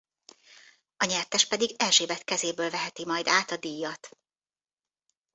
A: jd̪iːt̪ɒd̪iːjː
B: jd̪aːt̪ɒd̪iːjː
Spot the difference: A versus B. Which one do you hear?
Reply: B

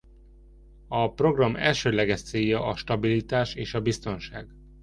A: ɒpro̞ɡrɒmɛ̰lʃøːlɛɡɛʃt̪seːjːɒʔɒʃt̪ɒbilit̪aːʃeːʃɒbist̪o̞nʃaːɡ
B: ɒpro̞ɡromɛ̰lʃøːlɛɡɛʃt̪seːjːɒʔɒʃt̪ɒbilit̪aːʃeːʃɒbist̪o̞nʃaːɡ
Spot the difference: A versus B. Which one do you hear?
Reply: A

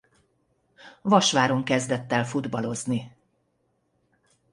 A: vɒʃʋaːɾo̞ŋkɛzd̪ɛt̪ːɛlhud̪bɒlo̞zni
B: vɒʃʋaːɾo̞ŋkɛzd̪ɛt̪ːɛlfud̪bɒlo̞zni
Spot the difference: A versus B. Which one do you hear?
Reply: B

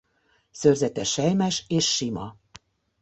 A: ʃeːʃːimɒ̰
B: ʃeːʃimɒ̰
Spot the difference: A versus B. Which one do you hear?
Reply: A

